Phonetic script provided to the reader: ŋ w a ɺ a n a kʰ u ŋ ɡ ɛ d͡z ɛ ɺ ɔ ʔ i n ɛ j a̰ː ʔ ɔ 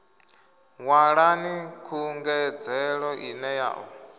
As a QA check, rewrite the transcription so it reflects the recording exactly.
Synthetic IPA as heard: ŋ w a ɺ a n i kʰ u ŋ ɡ ɛ d͡z ɛ ɺ ɔ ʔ i n ɛ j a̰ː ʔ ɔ